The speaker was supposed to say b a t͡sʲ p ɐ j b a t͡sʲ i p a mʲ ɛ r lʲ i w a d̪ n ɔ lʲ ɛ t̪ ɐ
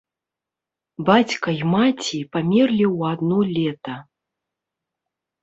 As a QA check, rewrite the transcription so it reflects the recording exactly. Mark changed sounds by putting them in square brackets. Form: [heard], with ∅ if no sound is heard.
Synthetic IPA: b a t͡sʲ [k] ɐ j [m] a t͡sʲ i p a mʲ ɛ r lʲ i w a d̪ n ɔ lʲ ɛ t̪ ɐ